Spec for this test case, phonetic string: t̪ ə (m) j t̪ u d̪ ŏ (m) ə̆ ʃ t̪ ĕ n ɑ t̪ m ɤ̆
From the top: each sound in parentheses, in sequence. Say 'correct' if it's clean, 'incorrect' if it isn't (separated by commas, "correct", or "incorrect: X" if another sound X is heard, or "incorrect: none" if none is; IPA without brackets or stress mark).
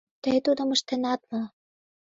incorrect: none, correct